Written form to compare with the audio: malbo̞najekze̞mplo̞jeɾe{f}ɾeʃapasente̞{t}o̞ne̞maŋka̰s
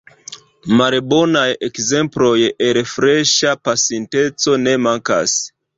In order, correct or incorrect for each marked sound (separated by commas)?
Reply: correct, incorrect